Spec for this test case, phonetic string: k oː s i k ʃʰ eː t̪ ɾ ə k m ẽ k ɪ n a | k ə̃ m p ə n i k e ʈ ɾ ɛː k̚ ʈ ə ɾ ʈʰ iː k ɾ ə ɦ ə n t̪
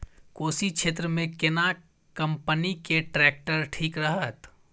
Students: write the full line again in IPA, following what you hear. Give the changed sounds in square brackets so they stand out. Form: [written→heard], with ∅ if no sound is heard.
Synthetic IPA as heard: k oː s i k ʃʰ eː t̪ ɾ ə [k→∅] m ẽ k ɪ n a | k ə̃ m p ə n i k e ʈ ɾ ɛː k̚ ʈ ə ɾ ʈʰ iː k ɾ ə ɦ ə [n→∅] t̪